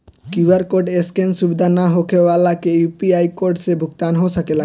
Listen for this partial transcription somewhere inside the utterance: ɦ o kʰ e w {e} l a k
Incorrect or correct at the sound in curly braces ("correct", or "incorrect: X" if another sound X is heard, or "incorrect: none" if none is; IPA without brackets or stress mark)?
incorrect: a